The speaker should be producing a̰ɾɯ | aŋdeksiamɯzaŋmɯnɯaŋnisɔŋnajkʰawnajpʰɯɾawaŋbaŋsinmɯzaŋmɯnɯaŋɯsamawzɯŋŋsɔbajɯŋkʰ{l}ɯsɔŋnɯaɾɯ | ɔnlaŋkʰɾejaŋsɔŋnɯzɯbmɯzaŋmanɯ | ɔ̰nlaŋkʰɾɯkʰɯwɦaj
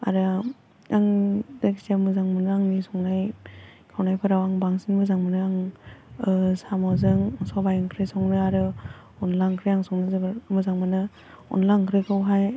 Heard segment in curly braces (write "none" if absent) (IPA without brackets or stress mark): ɾ